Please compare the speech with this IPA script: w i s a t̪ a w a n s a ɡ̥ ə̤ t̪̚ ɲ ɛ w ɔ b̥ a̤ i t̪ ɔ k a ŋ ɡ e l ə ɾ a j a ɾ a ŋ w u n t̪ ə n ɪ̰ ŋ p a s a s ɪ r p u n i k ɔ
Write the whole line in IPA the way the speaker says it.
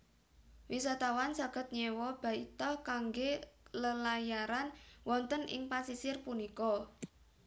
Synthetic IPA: w i s a t̪ a w a n s a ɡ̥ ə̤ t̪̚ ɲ ɛ w ɔ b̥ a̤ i t̪ ɔ k a ŋ ɡ e l ə l a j a ɾ a n w ɔ n t̪ ə n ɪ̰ ŋ p a s i s ɪ r p u n i k ɔ